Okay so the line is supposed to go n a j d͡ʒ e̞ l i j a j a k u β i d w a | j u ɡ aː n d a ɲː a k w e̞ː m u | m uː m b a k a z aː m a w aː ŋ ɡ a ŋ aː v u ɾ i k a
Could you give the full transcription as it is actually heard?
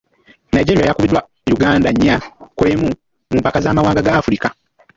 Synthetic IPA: n a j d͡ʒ e̞ ɾ i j a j a k u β i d w a | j u ɡ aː n d a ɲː a k w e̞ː m u | m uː m p a k a z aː m a w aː ŋ ɡ a ɡ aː f u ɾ i k a